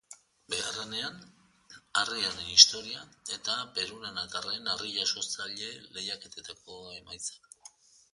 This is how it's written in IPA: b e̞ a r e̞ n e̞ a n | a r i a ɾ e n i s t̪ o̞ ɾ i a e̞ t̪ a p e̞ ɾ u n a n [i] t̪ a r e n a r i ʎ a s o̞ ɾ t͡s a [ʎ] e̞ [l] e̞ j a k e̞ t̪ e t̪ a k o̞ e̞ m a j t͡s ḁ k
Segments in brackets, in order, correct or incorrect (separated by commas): incorrect, correct, correct